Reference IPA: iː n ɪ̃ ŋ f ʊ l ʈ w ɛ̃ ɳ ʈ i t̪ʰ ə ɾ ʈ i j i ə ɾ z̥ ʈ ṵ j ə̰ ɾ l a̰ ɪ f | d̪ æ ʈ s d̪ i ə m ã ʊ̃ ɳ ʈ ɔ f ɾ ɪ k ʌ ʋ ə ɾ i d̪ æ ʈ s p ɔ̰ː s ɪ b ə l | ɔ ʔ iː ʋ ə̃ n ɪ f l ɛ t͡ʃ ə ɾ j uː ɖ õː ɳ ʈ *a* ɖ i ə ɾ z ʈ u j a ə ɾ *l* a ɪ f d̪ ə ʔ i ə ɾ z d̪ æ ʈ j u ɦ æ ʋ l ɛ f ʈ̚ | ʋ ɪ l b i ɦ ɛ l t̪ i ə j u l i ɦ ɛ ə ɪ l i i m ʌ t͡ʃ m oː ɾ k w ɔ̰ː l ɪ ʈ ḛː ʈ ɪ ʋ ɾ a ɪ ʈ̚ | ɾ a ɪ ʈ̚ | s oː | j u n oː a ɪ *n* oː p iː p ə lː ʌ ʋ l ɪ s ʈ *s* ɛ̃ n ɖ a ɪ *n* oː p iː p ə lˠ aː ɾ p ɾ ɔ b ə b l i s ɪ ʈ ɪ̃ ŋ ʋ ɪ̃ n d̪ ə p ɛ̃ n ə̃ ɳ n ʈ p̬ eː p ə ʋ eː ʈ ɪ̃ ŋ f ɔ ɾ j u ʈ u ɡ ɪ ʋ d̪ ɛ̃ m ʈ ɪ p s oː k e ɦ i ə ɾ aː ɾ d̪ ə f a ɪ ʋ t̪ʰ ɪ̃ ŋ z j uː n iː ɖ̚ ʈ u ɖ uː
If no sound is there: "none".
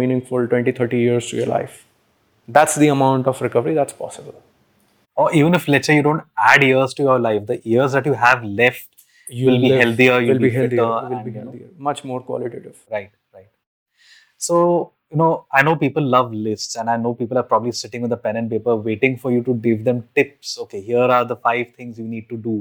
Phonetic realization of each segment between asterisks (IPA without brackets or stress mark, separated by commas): æ, l, n, s, n